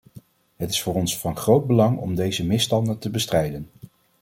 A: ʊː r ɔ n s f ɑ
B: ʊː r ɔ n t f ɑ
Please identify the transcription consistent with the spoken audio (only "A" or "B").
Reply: A